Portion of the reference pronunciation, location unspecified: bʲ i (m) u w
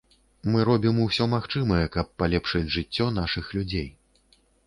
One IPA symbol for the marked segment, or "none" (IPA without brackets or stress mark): m